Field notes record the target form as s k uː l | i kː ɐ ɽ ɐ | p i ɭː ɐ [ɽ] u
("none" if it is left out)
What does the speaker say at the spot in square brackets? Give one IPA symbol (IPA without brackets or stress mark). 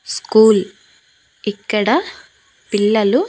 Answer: l